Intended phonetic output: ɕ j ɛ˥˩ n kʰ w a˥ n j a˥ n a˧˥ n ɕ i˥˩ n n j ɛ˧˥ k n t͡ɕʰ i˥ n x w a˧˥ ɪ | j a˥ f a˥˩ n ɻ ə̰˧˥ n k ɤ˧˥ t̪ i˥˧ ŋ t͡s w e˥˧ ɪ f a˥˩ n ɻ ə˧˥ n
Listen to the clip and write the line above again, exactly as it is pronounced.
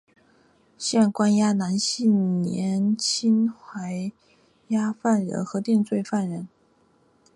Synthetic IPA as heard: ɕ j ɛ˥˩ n k w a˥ n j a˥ n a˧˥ n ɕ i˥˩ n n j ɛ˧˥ n t͡ɕʰ i˥ n x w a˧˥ ɪ | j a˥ f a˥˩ n ɻ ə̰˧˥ n x ɤ˧˥ t̪ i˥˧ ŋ t͡s w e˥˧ ɪ f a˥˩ n ɻ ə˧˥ n